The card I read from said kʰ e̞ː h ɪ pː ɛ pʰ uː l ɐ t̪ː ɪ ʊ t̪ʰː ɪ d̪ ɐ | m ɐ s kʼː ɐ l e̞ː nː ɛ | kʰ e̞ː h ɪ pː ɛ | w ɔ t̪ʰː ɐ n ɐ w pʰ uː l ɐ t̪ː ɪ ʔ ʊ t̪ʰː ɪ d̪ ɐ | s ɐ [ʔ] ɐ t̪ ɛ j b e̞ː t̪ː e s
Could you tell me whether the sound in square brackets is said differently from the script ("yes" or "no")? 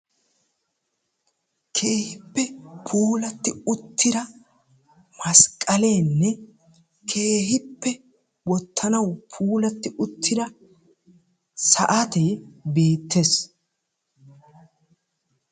no